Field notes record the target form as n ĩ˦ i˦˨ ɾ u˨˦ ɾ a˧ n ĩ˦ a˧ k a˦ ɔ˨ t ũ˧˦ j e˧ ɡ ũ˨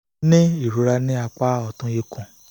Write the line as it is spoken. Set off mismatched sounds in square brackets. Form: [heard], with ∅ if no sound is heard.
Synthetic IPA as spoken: n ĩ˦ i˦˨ ɾ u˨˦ ɾ a˧ n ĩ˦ a˧ [k͡p] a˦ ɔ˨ t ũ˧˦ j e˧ [k] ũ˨

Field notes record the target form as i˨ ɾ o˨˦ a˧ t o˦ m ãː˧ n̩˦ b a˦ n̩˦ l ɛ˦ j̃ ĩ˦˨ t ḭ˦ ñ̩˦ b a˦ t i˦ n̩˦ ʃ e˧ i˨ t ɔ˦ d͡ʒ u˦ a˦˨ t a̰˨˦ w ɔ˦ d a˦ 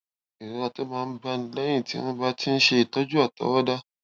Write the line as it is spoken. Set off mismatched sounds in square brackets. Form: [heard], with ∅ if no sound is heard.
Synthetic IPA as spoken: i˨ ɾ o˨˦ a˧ t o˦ m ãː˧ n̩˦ b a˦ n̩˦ l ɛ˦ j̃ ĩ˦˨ t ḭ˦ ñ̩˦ b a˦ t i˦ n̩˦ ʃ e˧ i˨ t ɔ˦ d͡ʒ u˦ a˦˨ t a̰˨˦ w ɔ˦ d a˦

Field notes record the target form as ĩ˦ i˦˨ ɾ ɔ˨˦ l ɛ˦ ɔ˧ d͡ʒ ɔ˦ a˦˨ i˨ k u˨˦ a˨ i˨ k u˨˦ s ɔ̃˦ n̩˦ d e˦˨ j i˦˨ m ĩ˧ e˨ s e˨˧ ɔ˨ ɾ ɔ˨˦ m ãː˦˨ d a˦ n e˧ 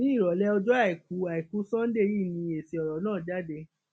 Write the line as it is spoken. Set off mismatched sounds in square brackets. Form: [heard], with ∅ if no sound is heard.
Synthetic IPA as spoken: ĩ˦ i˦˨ ɾ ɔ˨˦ l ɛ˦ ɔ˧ d͡ʒ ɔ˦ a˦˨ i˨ k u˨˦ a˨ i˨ k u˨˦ s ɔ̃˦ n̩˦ d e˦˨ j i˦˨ [n] ĩ˧ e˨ s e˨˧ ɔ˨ ɾ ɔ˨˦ [n] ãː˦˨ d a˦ [d] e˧

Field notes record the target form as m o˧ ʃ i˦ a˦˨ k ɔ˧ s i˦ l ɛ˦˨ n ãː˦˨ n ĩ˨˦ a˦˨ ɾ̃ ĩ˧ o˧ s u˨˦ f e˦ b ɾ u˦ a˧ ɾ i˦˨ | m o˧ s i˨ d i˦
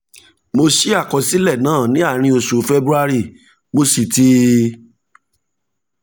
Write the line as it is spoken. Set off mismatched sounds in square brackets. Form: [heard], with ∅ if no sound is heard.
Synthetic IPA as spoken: m o˧ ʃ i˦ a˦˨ k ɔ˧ s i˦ l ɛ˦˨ n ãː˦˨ n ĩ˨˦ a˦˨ ɾ̃ ĩ˧ o˧ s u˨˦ f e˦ b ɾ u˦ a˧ ɾ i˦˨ | m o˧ s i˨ [t] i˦

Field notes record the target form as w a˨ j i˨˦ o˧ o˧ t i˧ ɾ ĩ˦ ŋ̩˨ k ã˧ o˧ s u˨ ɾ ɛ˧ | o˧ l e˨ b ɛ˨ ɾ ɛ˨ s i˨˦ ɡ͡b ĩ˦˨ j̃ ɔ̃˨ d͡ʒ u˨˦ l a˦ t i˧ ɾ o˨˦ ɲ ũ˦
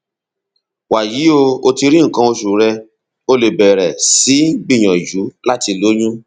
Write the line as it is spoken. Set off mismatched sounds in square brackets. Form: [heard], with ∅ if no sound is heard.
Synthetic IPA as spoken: w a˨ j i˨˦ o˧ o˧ t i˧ ɾ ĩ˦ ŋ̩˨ k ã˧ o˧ [ʃ] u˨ ɾ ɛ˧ | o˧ l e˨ b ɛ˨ ɾ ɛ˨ s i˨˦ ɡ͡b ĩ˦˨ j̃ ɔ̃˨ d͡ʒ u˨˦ l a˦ t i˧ [l] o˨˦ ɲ ũ˦

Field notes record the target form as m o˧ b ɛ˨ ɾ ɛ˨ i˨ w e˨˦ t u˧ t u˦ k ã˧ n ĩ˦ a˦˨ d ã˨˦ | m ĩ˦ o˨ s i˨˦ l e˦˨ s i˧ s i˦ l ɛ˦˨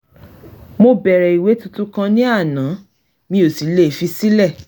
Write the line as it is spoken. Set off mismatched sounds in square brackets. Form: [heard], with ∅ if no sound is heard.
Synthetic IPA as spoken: m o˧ b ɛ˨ ɾ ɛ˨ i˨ w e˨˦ t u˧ t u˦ k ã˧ n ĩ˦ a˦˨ [n] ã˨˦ | m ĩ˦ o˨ s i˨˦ l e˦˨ [f] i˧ s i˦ l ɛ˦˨

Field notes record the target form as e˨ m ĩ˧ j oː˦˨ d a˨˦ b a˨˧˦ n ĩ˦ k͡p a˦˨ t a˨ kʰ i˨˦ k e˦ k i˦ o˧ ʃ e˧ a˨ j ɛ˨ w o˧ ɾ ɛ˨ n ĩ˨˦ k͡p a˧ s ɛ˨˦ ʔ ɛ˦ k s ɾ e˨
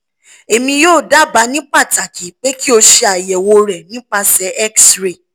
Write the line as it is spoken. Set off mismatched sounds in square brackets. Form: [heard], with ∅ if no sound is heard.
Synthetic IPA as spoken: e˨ m ĩ˧ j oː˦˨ d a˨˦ b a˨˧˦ n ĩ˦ k͡p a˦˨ t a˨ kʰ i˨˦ [k͡p] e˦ k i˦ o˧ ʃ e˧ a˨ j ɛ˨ w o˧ ɾ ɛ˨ n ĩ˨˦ k͡p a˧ s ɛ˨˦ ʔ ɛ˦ k s ɾ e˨

